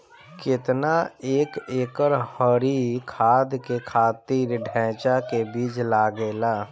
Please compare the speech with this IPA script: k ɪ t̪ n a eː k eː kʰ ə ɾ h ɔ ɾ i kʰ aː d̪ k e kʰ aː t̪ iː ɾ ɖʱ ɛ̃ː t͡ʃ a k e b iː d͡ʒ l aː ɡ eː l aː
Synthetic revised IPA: k ɪ t̪ n a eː k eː k ə ɾ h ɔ ɾ i kʰ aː d̪ k e kʰ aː t̪ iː ɾ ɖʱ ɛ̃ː t͡ʃ a k e b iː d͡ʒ l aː ɡ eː l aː